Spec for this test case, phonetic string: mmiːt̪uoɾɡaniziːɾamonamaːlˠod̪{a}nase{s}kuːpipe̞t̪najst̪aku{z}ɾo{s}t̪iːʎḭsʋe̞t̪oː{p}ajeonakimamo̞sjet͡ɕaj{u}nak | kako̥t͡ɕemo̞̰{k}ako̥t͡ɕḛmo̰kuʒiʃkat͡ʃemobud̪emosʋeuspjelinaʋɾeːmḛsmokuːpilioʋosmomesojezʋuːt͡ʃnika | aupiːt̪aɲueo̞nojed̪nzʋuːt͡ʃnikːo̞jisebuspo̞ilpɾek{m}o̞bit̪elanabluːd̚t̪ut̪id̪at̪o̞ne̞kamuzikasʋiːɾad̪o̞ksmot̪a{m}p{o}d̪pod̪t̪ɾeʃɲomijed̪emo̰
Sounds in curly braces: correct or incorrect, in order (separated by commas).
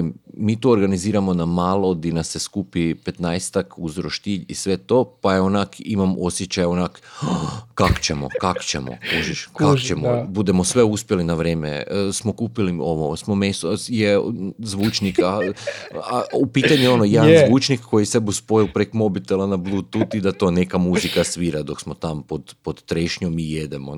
incorrect, correct, correct, incorrect, correct, incorrect, correct, correct, correct, correct